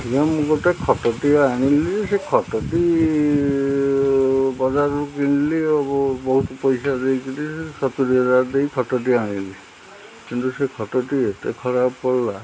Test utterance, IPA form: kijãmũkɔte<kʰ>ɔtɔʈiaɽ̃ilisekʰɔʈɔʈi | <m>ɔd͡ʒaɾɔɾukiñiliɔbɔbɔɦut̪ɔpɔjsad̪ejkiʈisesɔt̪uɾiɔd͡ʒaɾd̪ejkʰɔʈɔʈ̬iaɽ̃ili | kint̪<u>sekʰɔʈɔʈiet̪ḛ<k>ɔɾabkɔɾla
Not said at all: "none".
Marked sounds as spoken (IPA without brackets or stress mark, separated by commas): kʰ, b, u, kʰ